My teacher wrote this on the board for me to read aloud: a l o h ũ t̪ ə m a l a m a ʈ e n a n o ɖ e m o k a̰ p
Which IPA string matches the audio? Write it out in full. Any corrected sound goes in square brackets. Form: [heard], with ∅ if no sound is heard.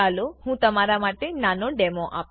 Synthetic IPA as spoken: a l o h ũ t̪ ə m a [ɾ] a m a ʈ e n a n o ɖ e m o [ʔ] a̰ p